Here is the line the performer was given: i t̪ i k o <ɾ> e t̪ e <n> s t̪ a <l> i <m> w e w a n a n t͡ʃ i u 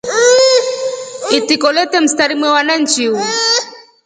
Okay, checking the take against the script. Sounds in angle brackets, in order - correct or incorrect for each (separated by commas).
incorrect, incorrect, incorrect, correct